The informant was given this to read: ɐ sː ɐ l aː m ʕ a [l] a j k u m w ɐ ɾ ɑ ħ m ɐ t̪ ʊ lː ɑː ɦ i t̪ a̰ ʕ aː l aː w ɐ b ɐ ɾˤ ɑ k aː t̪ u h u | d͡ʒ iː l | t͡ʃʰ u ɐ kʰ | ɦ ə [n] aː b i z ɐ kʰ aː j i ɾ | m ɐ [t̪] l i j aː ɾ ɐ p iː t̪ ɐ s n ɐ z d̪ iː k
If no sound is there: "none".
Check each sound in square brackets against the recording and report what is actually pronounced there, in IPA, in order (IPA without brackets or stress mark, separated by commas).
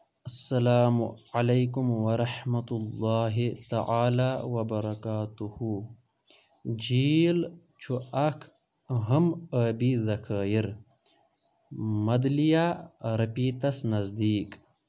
l, m, d̪